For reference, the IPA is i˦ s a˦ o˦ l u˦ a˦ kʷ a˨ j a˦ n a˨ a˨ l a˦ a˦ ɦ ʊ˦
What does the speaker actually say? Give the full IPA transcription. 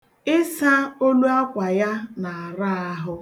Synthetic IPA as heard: ɪ˦ s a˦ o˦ l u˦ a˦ kʷ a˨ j a˦ n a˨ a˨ ɾ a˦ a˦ ɦ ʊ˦